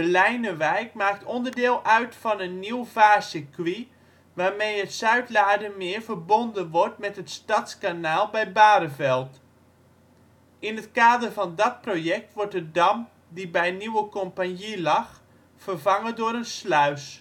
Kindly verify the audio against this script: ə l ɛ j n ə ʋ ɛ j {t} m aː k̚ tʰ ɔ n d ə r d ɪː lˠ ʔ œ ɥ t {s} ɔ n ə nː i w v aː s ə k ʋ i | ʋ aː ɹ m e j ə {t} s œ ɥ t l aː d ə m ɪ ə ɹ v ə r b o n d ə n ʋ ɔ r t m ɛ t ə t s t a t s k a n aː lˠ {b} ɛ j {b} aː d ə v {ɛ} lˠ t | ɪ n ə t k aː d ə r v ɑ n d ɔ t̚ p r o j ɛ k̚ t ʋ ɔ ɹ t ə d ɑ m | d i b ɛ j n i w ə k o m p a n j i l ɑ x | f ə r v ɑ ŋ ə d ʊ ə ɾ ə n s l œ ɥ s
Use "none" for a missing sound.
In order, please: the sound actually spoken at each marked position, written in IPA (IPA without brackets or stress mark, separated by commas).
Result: k, f, t, b, b, ɛ